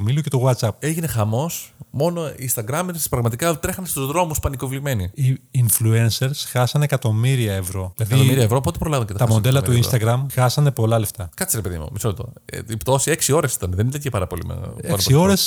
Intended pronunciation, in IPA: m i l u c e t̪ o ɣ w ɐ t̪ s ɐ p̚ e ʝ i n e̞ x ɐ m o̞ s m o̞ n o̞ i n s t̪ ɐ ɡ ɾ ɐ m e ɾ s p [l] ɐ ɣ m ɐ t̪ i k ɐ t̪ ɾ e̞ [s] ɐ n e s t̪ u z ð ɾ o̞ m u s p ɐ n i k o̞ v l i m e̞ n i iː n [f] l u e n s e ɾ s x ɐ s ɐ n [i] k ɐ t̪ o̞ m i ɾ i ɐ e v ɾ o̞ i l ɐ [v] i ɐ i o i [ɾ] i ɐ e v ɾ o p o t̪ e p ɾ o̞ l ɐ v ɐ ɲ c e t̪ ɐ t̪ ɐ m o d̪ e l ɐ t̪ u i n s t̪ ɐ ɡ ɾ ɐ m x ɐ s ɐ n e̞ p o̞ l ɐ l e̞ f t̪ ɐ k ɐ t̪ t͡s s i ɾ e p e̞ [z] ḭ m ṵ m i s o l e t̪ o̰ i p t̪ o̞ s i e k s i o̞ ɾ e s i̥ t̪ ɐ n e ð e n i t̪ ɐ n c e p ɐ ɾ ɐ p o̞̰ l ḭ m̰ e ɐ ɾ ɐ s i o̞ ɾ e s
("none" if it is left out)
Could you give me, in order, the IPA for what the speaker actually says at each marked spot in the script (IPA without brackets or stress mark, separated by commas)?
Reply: ɾ, x, f, e, ð, ɾ, ð